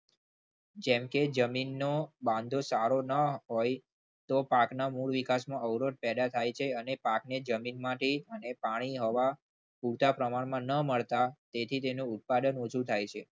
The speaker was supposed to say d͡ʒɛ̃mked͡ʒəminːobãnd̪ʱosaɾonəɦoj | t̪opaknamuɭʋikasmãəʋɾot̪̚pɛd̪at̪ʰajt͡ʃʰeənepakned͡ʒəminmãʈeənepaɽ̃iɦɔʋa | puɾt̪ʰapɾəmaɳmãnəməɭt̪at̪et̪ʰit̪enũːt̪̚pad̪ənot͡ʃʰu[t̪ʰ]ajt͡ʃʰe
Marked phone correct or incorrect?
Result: correct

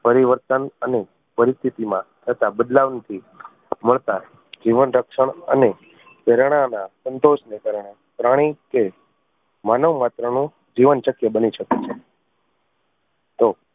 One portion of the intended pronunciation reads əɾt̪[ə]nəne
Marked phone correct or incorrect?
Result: correct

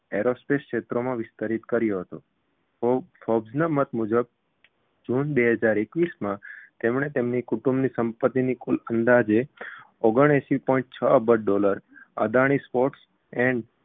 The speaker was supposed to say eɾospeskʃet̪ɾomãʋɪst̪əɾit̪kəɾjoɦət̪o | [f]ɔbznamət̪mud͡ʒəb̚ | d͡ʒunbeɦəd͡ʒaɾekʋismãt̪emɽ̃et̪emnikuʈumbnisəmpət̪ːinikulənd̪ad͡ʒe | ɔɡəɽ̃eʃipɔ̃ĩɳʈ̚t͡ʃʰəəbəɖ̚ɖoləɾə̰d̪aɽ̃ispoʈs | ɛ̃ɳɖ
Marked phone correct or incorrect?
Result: correct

